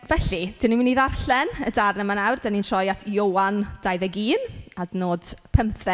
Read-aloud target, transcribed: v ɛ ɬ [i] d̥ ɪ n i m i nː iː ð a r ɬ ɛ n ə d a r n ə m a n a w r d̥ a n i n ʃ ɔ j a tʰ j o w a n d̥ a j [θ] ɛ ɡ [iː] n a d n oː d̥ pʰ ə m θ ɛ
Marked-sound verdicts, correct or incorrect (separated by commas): correct, incorrect, correct